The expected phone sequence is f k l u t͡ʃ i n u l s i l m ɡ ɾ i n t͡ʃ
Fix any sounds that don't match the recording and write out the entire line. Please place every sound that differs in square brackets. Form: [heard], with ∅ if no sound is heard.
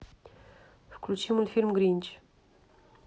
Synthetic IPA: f k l u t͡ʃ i [m] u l [f] i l m ɡ ɾ i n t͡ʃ